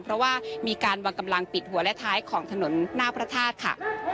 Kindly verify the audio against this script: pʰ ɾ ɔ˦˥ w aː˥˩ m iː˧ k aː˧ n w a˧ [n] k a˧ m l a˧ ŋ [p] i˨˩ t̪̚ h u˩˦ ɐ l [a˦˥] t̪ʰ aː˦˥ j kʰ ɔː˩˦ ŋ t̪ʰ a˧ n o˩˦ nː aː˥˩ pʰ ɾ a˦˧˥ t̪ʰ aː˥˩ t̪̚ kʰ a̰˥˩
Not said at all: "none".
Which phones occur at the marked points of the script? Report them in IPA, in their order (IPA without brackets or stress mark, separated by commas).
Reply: ŋ, p, ɛ˦˥